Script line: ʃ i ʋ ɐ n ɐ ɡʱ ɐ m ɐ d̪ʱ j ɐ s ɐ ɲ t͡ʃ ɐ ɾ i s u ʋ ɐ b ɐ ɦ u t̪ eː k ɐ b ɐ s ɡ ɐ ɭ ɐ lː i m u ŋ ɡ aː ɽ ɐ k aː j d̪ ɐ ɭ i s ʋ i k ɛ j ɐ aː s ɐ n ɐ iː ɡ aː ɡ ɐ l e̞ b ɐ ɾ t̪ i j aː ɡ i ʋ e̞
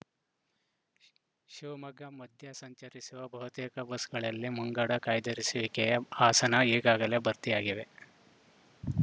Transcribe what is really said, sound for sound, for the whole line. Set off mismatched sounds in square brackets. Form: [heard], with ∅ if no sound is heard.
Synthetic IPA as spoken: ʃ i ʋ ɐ [m] ɐ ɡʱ ɐ m ɐ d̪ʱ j ɐ s ɐ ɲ t͡ʃ ɐ ɾ i s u ʋ ɐ b ɐ ɦ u t̪ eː k ɐ b ɐ s ɡ ɐ ɭ ɐ lː i m u ŋ ɡ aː ɽ ɐ k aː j d̪ ɐ [ɾ] i s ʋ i k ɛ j ɐ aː s ɐ n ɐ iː ɡ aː ɡ ɐ l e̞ b ɐ ɾ t̪ i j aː ɡ i ʋ e̞